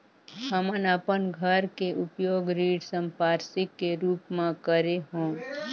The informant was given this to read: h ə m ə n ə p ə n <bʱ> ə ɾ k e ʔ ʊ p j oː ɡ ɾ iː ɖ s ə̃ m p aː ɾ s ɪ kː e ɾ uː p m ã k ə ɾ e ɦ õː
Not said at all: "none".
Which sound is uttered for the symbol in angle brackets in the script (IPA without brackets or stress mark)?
ɡʱ